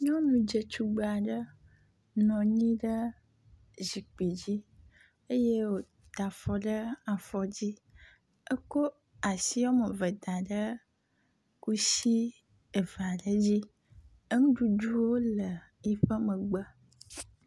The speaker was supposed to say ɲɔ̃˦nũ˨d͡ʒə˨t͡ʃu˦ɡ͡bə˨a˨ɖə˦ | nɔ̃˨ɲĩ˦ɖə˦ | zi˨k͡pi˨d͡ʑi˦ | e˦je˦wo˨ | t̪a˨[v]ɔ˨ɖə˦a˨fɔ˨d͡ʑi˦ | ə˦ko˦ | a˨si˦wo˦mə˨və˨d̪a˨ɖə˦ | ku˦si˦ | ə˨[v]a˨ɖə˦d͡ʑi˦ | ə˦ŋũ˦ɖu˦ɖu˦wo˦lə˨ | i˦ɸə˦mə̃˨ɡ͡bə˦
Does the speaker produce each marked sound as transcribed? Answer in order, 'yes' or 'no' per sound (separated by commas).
no, yes